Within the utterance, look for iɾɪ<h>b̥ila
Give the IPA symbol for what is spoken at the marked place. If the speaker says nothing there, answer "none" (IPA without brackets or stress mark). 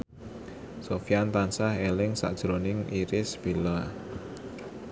s